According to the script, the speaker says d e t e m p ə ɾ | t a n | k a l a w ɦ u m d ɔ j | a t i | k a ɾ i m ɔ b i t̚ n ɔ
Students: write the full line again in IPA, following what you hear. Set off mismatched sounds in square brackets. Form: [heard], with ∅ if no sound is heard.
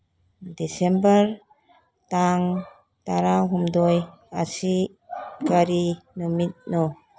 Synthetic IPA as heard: d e [s] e m [b] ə ɾ | t a [ŋ] | [t] a [ɾ] a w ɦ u m d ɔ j | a [s] i | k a ɾ i [n] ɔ [m] i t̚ n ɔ